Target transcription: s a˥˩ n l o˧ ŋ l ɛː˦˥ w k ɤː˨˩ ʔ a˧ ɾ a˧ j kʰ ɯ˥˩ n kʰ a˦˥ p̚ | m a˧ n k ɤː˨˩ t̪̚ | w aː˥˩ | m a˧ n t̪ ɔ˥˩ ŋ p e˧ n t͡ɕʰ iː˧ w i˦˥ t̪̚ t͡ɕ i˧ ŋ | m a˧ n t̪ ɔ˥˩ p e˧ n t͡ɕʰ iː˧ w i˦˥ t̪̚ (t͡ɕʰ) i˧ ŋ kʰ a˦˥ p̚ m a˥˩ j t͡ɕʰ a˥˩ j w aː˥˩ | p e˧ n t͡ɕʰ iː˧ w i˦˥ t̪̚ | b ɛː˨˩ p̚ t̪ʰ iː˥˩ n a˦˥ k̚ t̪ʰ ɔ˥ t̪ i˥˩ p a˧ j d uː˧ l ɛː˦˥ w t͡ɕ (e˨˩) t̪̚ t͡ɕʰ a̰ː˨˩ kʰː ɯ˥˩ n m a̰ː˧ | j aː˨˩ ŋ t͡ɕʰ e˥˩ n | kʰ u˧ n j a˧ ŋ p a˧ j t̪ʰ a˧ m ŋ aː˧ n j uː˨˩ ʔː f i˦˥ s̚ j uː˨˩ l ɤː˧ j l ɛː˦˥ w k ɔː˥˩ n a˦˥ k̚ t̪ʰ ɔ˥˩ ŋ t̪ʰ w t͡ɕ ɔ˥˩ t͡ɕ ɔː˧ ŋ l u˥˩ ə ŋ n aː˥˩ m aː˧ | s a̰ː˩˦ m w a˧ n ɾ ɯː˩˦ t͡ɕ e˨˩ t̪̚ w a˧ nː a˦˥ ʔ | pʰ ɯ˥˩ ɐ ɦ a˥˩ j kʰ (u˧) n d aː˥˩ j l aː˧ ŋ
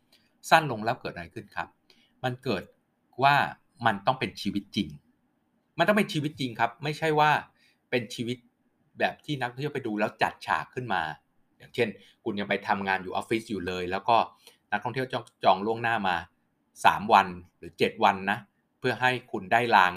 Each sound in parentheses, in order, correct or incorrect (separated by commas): incorrect, incorrect, correct